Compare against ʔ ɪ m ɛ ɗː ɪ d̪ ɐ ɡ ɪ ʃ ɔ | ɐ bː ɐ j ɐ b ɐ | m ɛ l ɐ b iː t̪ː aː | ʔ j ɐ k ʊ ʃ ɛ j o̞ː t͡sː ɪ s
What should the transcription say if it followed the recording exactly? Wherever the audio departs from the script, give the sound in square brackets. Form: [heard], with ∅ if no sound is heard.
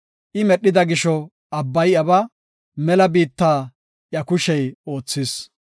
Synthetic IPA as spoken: ʔ ɪ m ɛ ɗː ɪ d̪ ɐ ɡ ɪ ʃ ɔ | ɐ bː ɐ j ɐ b ɐ | m ɛ l ɐ b iː t̪ː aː | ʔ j ɐ k ʊ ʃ ɛ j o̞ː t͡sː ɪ s